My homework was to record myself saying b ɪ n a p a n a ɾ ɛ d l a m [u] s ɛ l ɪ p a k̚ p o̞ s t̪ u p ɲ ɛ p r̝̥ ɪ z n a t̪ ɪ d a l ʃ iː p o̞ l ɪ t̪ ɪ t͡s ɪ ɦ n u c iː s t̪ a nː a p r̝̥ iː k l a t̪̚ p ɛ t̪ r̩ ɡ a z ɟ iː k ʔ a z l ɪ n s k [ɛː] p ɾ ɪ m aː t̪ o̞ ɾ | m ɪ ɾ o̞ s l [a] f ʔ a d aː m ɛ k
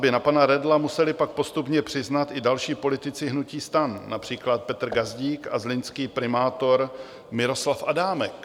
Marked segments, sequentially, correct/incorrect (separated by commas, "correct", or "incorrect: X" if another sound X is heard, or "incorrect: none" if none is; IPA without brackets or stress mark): correct, incorrect: iː, correct